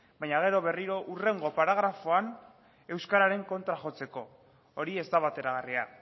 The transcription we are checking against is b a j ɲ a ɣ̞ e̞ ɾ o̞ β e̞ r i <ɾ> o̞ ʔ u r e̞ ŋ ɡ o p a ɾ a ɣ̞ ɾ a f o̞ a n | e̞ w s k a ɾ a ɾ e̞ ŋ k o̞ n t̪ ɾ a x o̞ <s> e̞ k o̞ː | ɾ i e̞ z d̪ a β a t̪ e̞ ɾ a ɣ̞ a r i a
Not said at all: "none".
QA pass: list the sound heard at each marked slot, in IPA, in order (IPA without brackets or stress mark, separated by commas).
ɾ, t͡s